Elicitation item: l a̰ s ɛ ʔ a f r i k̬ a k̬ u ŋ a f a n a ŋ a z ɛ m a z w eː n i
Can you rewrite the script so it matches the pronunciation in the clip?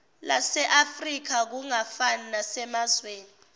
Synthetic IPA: l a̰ s ɛ ʔ a f r i k̬ a k̬ u ŋ a f a n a n a s ɛ m a z w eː n i